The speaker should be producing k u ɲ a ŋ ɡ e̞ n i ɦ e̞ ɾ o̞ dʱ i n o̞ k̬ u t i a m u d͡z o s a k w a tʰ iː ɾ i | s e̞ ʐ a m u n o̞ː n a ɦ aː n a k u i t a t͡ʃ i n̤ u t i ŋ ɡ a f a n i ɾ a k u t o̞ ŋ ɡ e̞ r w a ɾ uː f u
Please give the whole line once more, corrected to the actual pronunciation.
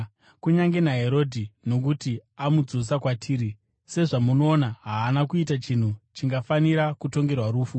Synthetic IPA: k u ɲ a ŋ ɡ e̞ n a ɦ e̞ ɾ o̞ dʱ i n o̞ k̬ u t i a m u d͡z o s a k w a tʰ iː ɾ i | s e̞ ʐ a m u n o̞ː n a ɦ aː n a k u i t a t͡ʃ i n̤ u t͡ʃ i ŋ ɡ a f a n i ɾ a k u t o̞ ŋ ɡ e̞ r w a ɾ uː f u

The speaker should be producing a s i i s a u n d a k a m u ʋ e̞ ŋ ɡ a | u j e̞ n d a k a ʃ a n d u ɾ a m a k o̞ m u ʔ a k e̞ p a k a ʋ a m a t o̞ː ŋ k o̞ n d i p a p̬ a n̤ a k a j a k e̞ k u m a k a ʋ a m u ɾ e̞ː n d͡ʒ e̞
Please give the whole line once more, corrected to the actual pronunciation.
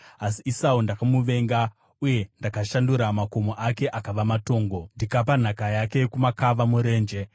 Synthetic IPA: a s i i s a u n d a k a m u ʋ e̞ ŋ ɡ a | u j e̞ n d a k a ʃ a n d u ɾ a m a k o̞ m o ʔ a k e̞ ʔ a k a ʋ a m a t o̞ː ŋ ɡ o̞ n d i k a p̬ a n̤ a k a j a k e̞ k u m a k a ʋ a m u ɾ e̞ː n d͡ʒ e̞

